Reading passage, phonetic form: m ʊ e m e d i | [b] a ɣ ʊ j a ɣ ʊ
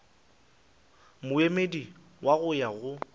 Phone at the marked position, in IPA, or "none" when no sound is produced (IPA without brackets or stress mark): w